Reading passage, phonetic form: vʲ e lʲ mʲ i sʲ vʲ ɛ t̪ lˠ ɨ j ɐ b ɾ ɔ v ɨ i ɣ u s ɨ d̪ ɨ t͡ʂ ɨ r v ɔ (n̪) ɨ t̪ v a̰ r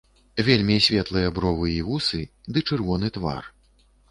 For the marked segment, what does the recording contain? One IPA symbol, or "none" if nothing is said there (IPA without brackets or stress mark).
n̪